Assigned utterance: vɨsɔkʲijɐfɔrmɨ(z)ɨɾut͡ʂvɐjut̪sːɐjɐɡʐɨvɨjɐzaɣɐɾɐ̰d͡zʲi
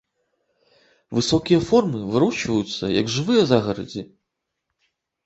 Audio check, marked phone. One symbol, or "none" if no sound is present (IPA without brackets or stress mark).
v